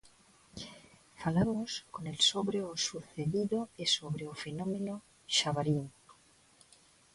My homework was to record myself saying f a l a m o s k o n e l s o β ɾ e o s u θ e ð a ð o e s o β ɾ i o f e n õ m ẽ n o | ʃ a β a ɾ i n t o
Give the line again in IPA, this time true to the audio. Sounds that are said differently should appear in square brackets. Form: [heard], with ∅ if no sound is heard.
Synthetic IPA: f a l a m o s k o n e l s o β ɾ e o s u θ e ð [i] ð o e s o β ɾ [e] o f e n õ m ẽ n o | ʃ a β a ɾ i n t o